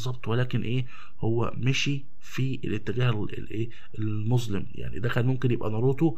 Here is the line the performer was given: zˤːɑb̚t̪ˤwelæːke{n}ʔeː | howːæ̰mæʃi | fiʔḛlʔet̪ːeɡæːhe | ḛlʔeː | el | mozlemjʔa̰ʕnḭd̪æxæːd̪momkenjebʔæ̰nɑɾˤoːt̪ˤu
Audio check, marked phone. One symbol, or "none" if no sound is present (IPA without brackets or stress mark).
n